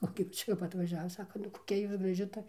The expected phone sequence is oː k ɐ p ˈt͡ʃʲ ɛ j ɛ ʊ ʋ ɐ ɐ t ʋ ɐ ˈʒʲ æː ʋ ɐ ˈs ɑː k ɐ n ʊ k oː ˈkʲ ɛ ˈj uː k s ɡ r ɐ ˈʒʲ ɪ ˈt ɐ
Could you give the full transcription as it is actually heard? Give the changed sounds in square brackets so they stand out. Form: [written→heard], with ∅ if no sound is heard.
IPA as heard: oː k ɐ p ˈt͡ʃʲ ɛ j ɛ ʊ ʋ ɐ ɐ t ʋ ɐ ˈʒʲ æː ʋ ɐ ˈs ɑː k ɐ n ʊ k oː ˈkʲ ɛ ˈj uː [k→∅] s ɡ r ɐ ˈʒʲ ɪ ˈt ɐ